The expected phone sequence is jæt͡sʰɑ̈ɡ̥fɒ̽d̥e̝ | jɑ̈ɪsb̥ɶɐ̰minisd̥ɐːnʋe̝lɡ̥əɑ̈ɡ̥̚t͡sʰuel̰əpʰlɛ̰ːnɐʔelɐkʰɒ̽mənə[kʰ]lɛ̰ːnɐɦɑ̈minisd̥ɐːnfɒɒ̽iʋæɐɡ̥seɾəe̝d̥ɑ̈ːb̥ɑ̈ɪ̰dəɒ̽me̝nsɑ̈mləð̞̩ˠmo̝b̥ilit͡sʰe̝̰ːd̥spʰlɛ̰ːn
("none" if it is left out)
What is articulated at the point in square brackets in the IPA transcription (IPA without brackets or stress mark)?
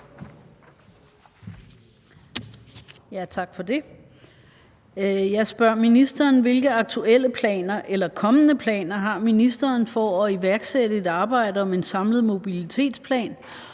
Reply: pʰ